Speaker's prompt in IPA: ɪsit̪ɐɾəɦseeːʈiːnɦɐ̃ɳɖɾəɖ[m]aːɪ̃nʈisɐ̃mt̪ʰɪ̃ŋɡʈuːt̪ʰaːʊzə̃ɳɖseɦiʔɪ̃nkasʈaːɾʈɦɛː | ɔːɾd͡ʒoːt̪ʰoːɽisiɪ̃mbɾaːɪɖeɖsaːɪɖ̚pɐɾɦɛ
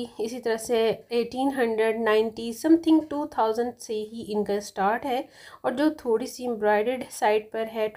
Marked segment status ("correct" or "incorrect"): incorrect